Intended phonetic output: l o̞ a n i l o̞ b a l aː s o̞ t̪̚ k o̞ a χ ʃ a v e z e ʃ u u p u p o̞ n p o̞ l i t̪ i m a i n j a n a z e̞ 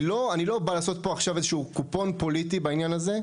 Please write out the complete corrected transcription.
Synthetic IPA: l o̞ a n i l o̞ b a l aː s o̞ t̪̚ p o̞ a χ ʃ a v e z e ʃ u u k u p o̞ n p o̞ l i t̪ i b a i n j a n a z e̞

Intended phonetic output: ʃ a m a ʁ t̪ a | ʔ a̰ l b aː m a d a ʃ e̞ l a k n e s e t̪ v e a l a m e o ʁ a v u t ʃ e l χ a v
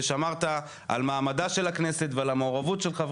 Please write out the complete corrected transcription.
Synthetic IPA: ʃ a m a ʁ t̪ a | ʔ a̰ l m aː m a d a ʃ e̞ l a k n e s e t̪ v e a l a m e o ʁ a v u t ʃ e l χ a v

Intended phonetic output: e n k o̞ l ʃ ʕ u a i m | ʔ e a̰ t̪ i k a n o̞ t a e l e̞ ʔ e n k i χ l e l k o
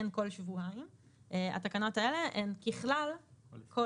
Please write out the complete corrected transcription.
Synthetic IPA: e n k o̞ l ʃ v u a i m | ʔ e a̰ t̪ a k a n o̞ t a e l e̞ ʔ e n k i χ l a l k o

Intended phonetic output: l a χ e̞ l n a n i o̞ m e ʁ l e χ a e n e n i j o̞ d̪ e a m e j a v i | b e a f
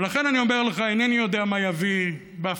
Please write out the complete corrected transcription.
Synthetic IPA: l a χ e̞ n a n i o̞ m e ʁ l e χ a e n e n i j o̞ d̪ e a m a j a v i | b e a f

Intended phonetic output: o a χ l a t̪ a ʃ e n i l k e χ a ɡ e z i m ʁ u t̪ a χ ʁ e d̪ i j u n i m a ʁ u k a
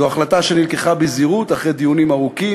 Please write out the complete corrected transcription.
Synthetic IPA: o a χ l a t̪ a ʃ e n i l k e χ a b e z i ʁ u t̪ a χ ʁ e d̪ i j u n i m a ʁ u k i

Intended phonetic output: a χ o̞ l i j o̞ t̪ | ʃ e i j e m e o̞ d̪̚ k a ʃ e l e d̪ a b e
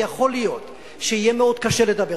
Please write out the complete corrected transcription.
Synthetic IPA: a χ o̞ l i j o̞ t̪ | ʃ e i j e m e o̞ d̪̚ k a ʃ e l e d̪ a b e

